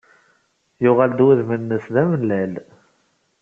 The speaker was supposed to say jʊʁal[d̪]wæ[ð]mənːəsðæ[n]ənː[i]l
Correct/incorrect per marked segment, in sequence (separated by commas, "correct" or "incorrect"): correct, correct, incorrect, incorrect